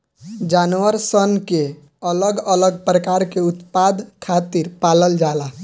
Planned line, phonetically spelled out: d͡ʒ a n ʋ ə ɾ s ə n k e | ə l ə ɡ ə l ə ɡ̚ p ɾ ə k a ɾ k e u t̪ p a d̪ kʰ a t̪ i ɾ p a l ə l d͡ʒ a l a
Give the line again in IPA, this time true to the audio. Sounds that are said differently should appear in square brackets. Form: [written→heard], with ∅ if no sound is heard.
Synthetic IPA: d͡ʒ a n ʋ ə ɾ s ə n k e | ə l ə ɡ ə l ə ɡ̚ p ɾ ə k a ɾ k e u t̪ p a d̪ kʰ a t̪ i ɾ p a l ə l d͡ʒ a l a